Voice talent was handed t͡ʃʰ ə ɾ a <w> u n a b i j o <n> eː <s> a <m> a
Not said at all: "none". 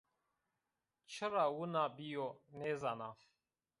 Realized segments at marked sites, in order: w, n, z, n

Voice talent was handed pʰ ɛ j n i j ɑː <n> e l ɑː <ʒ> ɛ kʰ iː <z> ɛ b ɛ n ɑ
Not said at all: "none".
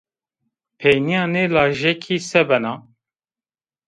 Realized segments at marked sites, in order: n, ʒ, s

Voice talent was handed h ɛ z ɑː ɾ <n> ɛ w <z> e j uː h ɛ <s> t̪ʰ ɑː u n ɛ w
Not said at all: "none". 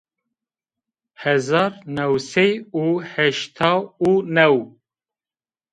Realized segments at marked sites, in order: n, s, ʃ

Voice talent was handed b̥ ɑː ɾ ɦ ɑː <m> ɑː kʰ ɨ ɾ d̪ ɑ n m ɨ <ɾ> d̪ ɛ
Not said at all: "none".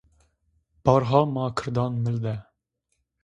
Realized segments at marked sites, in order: m, l

